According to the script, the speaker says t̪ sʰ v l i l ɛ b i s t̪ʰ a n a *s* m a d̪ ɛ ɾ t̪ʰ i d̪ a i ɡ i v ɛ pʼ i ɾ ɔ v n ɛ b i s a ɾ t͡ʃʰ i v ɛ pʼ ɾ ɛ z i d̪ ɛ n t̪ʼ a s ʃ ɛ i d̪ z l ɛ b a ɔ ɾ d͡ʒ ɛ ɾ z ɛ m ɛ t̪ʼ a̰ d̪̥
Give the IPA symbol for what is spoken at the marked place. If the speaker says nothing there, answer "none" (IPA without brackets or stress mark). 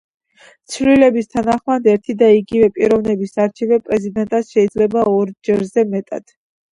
χ